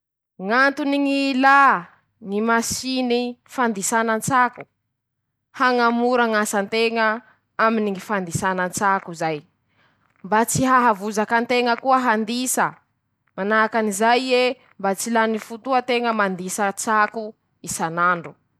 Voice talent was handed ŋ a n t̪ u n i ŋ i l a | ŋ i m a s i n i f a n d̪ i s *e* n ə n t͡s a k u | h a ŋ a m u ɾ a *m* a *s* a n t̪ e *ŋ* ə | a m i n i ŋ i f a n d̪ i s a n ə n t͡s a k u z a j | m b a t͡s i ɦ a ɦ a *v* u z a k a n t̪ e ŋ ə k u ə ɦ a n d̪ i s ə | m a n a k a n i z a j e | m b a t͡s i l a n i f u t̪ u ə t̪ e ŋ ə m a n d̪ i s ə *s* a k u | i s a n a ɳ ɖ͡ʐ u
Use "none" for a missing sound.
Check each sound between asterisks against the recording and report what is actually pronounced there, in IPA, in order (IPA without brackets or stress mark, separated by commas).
a, ŋ, s, ŋ, v, t͡s